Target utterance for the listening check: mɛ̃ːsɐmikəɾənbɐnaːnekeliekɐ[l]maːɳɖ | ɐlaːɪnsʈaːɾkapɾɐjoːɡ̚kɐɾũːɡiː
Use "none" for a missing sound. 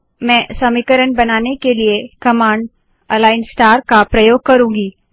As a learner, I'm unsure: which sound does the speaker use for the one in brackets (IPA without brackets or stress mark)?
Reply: none